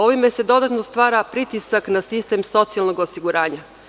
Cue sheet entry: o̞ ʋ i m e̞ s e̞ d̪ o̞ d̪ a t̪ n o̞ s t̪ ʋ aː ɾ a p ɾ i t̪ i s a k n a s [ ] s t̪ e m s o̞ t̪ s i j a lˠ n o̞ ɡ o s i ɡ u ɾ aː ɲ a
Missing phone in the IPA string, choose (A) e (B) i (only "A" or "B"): B